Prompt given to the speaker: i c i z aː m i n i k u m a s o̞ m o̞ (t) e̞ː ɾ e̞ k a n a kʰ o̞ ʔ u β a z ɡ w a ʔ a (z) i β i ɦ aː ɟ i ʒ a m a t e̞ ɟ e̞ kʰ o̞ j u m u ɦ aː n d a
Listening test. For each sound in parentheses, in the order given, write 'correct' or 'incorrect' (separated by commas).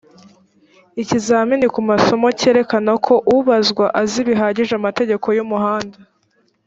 incorrect, correct